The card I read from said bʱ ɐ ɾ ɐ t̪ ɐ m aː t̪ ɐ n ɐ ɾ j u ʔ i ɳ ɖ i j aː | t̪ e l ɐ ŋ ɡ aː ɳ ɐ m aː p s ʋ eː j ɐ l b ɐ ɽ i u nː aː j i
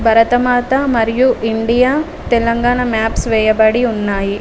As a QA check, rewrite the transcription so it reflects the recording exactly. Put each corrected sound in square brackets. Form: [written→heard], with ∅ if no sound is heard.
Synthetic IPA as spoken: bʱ ɐ ɾ ɐ t̪ ɐ m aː t̪ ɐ [n→m] ɐ ɾ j u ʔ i ɳ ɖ i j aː | t̪ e l ɐ ŋ ɡ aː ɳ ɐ m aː p s ʋ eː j ɐ [l→∅] b ɐ ɽ i u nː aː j i

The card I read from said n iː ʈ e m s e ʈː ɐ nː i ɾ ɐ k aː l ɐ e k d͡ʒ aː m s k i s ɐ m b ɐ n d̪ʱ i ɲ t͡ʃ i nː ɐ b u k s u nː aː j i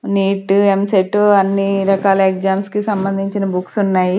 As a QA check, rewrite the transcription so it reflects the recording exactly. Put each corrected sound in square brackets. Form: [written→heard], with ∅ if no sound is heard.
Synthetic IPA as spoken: n iː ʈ e m s e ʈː ɐ nː i ɾ ɐ k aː l ɐ e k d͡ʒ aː m s k i s ɐ m b ɐ n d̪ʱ i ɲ t͡ʃ i [nː→n] ɐ b u k s u nː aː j i

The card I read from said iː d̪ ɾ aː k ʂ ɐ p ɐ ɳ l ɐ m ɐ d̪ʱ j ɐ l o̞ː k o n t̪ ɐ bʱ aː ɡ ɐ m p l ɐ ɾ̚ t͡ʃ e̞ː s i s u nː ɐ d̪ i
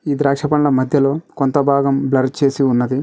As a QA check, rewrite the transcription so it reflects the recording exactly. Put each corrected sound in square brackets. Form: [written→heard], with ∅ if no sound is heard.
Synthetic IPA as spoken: iː d̪ ɾ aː k ʂ ɐ p ɐ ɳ l ɐ m ɐ d̪ʱ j ɐ l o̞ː k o n t̪ ɐ bʱ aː ɡ ɐ m [p→b] l ɐ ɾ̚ t͡ʃ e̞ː s i [s→∅] u nː ɐ d̪ i

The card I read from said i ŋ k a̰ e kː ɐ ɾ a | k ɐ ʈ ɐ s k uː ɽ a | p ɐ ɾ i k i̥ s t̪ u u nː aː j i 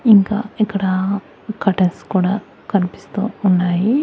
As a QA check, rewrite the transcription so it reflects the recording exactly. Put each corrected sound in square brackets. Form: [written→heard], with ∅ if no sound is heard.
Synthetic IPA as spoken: i ŋ k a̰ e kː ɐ [ɾ→ɽ] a | k ɐ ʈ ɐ s k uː ɽ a | [p→k] ɐ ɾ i [k→p] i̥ s t̪ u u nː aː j i

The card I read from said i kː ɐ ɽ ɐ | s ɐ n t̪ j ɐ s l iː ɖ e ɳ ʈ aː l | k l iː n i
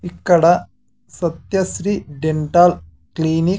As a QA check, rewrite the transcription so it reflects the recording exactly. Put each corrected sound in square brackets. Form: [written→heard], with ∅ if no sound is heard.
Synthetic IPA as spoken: i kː ɐ ɽ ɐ | s ɐ [n→∅] t̪ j ɐ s [l→ɾ] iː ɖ e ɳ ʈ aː l | k l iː n i

